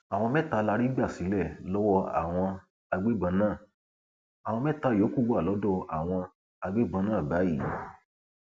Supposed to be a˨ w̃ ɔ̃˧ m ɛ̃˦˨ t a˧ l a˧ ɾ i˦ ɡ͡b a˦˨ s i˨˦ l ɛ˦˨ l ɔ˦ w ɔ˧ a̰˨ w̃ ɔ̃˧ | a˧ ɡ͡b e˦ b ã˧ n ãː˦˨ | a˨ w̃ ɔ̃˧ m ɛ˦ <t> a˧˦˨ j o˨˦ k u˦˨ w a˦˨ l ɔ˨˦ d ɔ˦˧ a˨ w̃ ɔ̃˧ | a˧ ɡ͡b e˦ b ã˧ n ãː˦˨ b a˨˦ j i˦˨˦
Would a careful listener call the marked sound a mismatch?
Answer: no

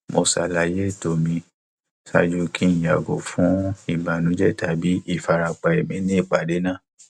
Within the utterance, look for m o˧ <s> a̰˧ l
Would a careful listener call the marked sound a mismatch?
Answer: no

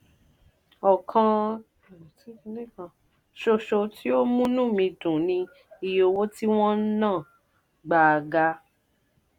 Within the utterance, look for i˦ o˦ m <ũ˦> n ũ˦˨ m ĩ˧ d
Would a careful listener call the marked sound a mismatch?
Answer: no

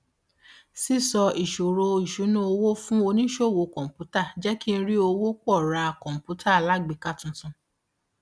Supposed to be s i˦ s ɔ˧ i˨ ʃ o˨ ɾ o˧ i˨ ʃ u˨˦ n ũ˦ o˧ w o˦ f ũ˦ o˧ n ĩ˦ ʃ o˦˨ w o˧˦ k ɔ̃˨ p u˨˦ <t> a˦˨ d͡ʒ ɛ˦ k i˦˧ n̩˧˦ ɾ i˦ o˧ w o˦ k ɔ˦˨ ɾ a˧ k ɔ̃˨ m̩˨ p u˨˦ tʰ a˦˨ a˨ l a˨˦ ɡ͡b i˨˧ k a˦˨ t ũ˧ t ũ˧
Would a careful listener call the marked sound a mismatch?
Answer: no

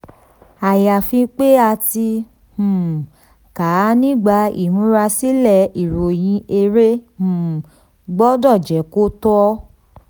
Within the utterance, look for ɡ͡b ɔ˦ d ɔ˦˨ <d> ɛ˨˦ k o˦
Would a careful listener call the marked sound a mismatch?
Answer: yes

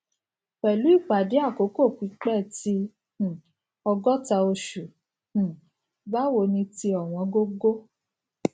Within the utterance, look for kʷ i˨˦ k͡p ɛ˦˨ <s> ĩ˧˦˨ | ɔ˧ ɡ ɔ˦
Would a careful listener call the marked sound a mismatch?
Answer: yes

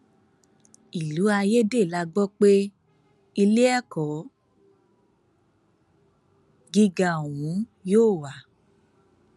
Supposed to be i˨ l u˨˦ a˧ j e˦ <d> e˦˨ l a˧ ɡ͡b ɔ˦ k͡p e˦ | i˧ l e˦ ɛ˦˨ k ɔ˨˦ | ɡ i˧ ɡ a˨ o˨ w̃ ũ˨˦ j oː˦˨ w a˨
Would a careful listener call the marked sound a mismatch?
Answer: no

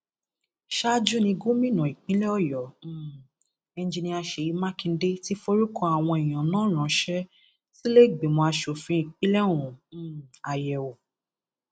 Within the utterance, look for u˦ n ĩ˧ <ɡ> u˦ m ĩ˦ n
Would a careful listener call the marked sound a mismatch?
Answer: no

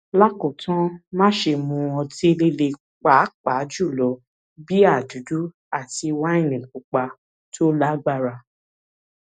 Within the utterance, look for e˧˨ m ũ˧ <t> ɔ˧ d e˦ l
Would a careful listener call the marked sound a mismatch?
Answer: yes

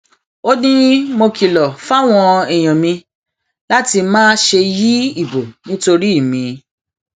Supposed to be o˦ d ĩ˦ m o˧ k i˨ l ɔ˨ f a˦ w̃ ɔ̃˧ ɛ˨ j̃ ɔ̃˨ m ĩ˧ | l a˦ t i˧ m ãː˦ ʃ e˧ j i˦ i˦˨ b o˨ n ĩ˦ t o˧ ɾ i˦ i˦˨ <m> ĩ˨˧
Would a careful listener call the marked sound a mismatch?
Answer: no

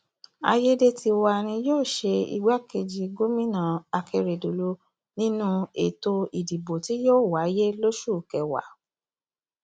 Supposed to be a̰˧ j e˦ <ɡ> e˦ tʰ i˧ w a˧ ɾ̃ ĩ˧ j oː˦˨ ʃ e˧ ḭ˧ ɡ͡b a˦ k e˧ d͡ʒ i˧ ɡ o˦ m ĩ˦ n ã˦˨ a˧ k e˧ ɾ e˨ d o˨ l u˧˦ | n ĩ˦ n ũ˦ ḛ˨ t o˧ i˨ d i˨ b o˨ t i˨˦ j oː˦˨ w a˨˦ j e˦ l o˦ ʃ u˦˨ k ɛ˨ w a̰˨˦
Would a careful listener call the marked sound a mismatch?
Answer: yes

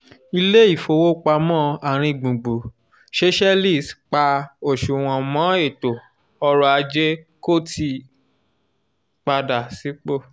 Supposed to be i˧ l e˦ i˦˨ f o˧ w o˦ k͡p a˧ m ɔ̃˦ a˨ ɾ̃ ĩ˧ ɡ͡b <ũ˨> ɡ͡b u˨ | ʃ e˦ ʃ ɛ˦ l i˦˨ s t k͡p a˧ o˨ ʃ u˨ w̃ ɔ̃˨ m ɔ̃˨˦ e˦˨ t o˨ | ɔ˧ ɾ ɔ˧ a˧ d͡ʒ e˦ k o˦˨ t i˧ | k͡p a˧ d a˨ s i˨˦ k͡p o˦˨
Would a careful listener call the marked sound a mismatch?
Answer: no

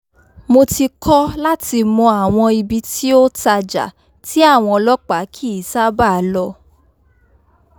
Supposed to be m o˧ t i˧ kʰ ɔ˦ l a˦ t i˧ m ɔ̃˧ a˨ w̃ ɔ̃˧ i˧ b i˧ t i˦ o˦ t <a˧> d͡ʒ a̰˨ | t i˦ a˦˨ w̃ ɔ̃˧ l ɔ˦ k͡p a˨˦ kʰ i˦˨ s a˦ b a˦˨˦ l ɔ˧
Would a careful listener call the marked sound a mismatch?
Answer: no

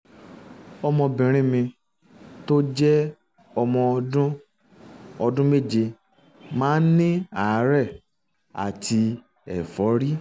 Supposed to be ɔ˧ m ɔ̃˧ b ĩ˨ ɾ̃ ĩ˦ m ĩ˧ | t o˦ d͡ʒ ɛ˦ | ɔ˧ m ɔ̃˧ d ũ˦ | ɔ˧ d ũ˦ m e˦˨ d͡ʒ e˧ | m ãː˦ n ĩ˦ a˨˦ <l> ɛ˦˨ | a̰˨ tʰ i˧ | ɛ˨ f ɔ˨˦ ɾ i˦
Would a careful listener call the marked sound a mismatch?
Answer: yes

